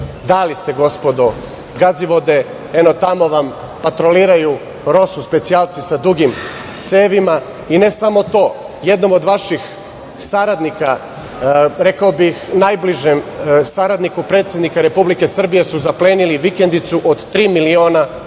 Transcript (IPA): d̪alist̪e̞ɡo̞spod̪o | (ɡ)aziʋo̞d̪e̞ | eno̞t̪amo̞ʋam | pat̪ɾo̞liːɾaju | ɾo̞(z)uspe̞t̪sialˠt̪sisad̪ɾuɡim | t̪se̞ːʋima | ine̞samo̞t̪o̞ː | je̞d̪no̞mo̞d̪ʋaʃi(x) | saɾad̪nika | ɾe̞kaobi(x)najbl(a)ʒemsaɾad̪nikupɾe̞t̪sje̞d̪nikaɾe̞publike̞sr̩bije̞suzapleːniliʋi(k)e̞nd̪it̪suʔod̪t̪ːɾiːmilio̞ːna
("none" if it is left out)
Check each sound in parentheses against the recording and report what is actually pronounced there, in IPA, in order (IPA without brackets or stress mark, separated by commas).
ɡ, s, x, x, i, k